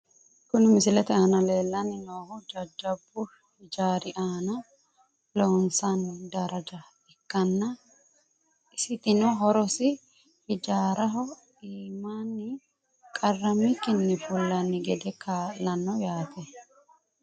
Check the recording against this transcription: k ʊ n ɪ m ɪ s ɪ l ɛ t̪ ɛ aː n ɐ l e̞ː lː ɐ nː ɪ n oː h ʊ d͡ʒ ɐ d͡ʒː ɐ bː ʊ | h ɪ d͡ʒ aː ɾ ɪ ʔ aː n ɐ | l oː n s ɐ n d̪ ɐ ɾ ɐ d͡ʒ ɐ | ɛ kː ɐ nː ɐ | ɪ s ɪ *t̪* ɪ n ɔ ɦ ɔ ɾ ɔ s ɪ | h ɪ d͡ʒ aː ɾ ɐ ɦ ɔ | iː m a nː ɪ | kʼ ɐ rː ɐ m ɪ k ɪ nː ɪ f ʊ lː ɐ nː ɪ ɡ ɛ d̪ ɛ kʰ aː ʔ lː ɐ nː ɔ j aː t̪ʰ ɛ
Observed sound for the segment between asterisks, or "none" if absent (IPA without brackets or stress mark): t̪